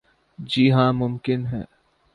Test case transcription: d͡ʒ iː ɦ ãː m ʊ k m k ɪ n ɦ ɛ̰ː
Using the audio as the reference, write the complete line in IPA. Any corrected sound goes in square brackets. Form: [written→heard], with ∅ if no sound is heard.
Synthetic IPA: d͡ʒ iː ɦ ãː m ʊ [k→∅] m k ɪ n ɦ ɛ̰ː